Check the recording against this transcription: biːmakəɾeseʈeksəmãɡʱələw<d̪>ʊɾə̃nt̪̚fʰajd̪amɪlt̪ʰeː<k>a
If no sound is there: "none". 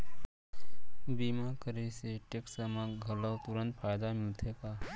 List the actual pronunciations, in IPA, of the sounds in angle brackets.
t̪, k

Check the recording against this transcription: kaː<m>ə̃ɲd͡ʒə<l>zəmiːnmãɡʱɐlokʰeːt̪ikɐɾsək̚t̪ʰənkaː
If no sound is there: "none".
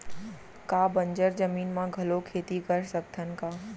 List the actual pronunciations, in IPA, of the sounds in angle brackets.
b, ɾ

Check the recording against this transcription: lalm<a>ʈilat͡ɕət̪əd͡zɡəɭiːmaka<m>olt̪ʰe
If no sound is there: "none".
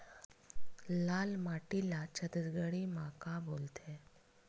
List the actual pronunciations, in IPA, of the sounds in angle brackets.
a, b

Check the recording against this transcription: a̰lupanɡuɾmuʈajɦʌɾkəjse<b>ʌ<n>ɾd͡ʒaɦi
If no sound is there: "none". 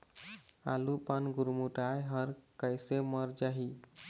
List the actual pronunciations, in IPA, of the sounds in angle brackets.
m, none

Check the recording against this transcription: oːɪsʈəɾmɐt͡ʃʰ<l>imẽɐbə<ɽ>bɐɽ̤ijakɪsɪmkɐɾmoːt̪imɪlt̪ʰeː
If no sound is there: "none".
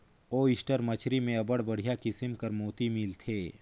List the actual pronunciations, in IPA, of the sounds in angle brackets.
ɾ, ɽ

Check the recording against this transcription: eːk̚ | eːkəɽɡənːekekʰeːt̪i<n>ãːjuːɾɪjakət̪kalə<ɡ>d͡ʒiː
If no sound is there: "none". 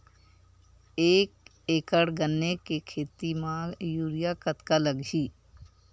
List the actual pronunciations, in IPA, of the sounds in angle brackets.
m, ɡ

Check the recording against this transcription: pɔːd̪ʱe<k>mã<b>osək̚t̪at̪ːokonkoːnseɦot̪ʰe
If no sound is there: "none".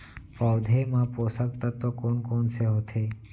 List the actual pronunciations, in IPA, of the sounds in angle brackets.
none, p

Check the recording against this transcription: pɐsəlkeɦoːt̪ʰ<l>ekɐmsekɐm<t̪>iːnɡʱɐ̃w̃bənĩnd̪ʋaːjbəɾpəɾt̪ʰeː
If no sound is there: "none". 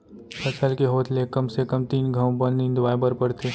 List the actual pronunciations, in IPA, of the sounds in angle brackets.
l, t̪

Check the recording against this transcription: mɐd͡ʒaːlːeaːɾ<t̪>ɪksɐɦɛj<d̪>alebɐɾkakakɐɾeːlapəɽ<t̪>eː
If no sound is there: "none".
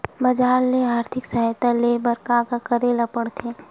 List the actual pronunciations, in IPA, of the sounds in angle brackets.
t̪ʰ, t̪, t̪ʰ

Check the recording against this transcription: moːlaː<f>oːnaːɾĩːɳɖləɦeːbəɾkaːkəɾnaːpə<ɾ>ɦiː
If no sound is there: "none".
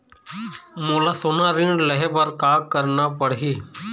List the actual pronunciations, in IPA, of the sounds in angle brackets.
s, ɽ

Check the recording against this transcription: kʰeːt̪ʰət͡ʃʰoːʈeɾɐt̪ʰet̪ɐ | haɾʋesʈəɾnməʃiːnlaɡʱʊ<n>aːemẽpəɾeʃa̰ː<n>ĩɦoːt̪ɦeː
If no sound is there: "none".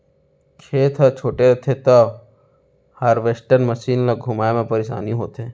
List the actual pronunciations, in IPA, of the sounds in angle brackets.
m, n

